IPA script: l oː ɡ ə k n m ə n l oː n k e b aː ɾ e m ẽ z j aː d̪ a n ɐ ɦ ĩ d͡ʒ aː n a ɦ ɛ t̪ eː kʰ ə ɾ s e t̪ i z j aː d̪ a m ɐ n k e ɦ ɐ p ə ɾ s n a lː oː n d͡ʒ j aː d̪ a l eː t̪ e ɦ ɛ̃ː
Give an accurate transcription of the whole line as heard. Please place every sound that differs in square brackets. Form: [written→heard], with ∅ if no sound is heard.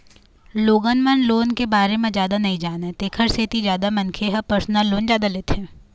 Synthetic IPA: l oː ɡ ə [k→∅] n m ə n l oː n k e b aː ɾ e m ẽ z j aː d̪ a n ɐ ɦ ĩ d͡ʒ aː n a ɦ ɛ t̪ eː kʰ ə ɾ s e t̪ i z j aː d̪ a m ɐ n [k→kʰ] e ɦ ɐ p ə ɾ s n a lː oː n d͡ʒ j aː d̪ a l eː t̪ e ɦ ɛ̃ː

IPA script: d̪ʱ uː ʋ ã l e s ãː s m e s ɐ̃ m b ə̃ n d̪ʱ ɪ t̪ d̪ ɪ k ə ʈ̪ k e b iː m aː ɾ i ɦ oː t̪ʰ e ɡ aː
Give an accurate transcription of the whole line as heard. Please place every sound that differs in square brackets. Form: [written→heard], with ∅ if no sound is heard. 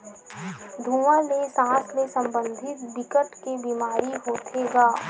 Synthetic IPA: d̪ʱ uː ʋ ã l e s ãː s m e s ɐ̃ m b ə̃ n d̪ʱ ɪ t̪ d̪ ɪ k ə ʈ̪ k e b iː m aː ɾ i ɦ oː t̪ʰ e ɡ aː

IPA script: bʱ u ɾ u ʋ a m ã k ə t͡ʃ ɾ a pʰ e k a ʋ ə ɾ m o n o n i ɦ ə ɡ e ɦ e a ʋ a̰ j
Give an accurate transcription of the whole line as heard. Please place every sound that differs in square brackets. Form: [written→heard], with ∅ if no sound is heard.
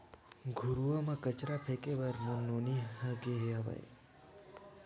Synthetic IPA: [bʱ→ɡʱ] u ɾ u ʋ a m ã k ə t͡ʃ ɾ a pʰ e k [a→e] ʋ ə ɾ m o n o n i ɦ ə ɡ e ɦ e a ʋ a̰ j

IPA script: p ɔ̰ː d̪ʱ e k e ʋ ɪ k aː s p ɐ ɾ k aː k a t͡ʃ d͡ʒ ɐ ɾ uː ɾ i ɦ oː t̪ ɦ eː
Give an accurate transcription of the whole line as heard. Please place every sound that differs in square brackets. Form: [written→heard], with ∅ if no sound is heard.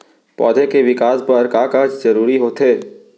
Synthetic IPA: p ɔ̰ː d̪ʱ e k e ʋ ɪ k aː s p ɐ ɾ k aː k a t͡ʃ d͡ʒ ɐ ɾ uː ɾ i ɦ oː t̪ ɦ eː

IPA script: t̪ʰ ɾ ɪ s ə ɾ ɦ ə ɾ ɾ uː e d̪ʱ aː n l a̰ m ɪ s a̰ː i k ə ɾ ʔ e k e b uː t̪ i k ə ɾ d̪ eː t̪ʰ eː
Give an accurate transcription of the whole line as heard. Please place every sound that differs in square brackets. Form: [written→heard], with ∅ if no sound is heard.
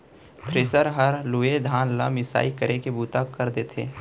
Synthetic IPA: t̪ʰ ɾ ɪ s ə ɾ ɦ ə ɾ [ɾ→l] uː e d̪ʱ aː n l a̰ m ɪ s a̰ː i k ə ɾ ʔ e k e b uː t̪ [i→a] k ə ɾ d̪ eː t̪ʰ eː

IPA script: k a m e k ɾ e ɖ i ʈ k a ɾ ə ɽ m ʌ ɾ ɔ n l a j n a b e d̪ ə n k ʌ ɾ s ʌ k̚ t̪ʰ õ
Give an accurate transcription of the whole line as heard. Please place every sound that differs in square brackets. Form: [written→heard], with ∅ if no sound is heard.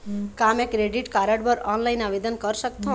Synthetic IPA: k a m e k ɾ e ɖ i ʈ k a ɾ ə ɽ [m→b] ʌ ɾ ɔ n l a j n a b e d̪ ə n k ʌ ɾ s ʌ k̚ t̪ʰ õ

